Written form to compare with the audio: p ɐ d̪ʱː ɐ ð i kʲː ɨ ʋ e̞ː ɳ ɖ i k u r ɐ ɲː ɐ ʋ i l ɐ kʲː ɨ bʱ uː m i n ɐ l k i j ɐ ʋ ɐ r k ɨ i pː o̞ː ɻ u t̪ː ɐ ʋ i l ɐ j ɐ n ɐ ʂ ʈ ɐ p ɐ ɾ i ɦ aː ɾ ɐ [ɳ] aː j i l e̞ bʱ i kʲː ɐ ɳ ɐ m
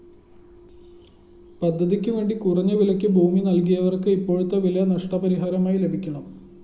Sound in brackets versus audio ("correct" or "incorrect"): incorrect